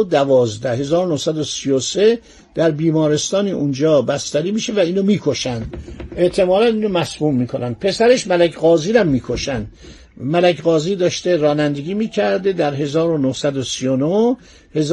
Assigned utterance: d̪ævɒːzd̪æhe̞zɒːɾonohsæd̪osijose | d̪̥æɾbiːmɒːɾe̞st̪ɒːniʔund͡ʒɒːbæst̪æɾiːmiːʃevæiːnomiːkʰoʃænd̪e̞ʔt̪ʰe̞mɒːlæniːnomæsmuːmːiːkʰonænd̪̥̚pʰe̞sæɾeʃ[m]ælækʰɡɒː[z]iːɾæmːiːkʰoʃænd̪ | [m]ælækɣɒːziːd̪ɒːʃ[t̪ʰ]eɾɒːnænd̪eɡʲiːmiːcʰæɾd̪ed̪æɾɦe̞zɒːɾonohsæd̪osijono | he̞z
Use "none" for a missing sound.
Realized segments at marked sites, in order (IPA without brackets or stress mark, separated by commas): m, z, m, t̪